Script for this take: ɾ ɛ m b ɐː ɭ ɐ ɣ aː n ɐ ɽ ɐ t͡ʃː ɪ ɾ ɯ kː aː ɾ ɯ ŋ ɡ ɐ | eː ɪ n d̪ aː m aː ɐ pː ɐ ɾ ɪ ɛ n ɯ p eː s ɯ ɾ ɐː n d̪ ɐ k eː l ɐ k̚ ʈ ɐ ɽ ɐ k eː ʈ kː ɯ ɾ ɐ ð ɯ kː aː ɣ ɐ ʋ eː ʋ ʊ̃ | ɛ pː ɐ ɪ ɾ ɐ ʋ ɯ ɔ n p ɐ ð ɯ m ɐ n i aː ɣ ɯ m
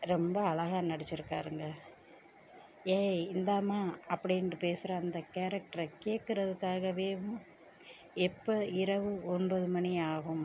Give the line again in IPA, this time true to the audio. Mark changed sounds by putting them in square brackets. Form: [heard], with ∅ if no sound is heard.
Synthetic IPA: ɾ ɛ m b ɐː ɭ ɐ ɣ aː n ɐ ɽ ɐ t͡ʃː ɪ ɾ ɯ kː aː ɾ ɯ ŋ ɡ ɐ | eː ɪ n d̪ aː m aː ɐ pː ɐ [ɽ] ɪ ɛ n ɯ p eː s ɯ ɾ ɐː n d̪ ɐ k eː [ɾ] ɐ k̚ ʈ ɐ [ɾ] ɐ k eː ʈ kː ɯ ɾ ɐ ð ɯ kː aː ɣ ɐ ʋ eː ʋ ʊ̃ | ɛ pː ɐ ɪ ɾ ɐ ʋ ɯ ɔ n [b] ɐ ð ɯ m ɐ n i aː ɣ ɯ m

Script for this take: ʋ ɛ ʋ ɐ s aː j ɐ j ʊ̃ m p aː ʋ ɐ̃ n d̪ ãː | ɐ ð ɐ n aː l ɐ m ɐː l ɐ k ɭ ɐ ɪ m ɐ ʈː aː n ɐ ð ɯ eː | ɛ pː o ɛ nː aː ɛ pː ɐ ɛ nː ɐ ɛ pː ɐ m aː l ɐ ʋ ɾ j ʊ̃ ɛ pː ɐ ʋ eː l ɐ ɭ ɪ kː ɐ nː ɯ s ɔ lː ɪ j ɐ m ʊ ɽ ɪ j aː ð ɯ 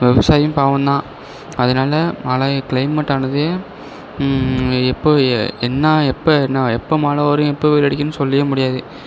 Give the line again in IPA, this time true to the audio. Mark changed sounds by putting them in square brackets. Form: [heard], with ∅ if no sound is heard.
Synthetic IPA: ʋ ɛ ʋ ɐ s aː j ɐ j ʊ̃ m p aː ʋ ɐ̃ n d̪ ãː | ɐ ð ɐ n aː l ɐ m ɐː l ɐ k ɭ ɐ ɪ m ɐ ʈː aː n ɐ ð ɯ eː | ɛ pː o ɛ nː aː ɛ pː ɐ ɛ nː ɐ ɛ pː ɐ m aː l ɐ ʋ ɾ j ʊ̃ ɛ pː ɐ ʋ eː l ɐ [ɽ] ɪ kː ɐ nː ɯ s ɔ lː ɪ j ɐ m ʊ ɽ ɪ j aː ð ɯ

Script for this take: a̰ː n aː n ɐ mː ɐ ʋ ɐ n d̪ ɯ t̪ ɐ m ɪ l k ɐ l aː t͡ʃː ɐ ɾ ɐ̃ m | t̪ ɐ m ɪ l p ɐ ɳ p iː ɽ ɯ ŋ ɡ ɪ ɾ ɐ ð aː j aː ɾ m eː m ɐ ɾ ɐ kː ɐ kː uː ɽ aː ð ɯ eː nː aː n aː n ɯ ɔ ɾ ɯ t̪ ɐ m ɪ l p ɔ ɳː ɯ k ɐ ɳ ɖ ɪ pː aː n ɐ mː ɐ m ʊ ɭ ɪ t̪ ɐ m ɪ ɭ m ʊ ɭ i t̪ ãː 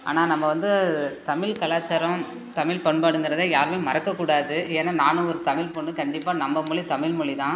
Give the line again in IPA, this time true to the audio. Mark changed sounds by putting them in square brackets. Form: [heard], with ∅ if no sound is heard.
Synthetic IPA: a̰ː n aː n ɐ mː ɐ ʋ ɐ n d̪ ɯ t̪ ɐ m ɪ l k ɐ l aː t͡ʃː ɐ ɾ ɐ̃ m | t̪ ɐ m ɪ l p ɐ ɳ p [aː] ɽ ɯ ŋ ɡ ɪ ɾ ɐ ð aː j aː ɾ m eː m ɐ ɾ ɐ kː ɐ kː uː ɽ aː ð ɯ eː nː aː n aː n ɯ ɔ ɾ ɯ t̪ ɐ m ɪ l p ɔ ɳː ɯ k ɐ ɳ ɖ ɪ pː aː n ɐ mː ɐ m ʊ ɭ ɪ t̪ ɐ m ɪ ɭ m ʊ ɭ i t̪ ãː

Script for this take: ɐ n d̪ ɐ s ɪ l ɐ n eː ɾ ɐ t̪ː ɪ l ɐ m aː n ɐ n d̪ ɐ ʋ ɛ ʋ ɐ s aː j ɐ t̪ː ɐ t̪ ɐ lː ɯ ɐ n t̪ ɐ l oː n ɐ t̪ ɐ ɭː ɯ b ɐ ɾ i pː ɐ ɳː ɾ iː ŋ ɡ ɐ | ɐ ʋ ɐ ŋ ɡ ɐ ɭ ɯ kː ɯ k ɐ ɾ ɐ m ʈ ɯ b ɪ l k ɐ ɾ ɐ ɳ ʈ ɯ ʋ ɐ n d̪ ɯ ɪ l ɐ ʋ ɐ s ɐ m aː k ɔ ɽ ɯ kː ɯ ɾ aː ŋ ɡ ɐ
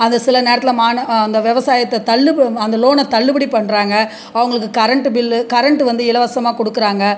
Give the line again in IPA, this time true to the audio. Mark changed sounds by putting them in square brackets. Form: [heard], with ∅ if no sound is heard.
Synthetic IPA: ɐ n d̪ ɐ s ɪ l ɐ n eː ɾ ɐ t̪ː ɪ l ɐ m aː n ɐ n d̪ ɐ ʋ ɛ ʋ ɐ s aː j ɐ t̪ː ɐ t̪ ɐ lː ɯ ɐ n [d̪] ɐ l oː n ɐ t̪ ɐ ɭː ɯ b ɐ [ɽ] i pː ɐ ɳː ɾ [aː] ŋ ɡ ɐ | ɐ ʋ ɐ ŋ ɡ ɐ ɭ ɯ kː ɯ k ɐ ɾ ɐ [ɳ] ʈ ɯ b ɪ l k ɐ ɾ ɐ ɳ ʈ ɯ ʋ ɐ n d̪ ɯ ɪ l ɐ ʋ ɐ s ɐ m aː k ɔ ɽ ɯ kː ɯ ɾ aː ŋ ɡ ɐ

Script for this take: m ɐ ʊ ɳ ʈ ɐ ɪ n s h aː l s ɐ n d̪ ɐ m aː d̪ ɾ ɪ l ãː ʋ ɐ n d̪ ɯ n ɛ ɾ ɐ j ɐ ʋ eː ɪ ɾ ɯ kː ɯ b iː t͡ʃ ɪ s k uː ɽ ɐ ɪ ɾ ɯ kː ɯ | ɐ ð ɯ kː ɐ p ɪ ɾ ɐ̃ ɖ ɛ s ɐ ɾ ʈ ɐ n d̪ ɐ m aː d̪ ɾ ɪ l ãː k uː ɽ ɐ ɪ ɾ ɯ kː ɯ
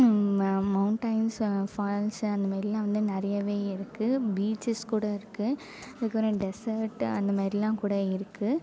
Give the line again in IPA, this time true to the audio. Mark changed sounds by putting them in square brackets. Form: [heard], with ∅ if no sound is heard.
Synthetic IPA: m ɐ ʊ ɳ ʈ ɐ ɪ n s [f] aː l s ɐ n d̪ ɐ m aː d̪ ɾ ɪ l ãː ʋ ɐ n d̪ ɯ n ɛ ɾ ɐ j ɐ ʋ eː ɪ ɾ ɯ kː ɯ b iː t͡ʃ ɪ s k uː ɽ ɐ ɪ ɾ ɯ kː ɯ | ɐ ð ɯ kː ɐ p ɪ ɾ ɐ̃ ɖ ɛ s ɐ ɾ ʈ ɐ n d̪ ɐ m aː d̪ ɾ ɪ l ãː k uː ɽ ɐ ɪ ɾ ɯ kː ɯ

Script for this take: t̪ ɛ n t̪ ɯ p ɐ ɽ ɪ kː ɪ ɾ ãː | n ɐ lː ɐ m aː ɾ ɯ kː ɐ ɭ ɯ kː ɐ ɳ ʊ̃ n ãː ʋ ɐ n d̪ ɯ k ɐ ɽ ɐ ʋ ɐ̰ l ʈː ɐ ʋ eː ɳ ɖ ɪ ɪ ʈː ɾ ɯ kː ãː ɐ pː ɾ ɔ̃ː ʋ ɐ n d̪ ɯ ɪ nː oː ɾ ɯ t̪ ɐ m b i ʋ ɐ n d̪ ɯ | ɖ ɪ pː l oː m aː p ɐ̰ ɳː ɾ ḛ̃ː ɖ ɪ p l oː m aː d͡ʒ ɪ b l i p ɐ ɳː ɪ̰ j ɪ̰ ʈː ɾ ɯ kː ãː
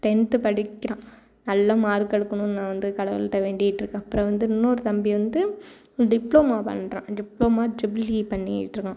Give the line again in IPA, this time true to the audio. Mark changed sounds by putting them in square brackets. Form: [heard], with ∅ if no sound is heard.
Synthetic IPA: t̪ ɛ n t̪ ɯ p ɐ ɽ ɪ kː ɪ ɾ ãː | n ɐ lː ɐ m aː ɾ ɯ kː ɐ [ɽ] ɯ kː ɐ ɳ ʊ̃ n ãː ʋ ɐ n d̪ ɯ k ɐ ɽ ɐ ʋ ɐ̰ l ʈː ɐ ʋ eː ɳ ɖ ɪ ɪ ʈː ɾ ɯ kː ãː ɐ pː ɾ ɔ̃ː ʋ ɐ n d̪ ɯ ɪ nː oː ɾ ɯ t̪ ɐ m b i ʋ ɐ n d̪ ɯ | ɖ ɪ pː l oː m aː p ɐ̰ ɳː ɾ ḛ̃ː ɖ ɪ p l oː m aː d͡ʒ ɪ b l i p ɐ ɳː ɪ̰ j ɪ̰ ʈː ɾ ɯ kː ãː

